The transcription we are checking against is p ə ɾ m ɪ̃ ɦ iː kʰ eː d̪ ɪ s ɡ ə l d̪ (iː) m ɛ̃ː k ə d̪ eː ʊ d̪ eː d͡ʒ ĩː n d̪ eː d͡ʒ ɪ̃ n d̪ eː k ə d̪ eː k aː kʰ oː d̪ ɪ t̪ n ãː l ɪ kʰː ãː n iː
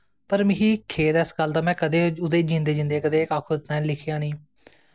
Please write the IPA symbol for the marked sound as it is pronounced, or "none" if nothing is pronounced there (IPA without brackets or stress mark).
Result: aː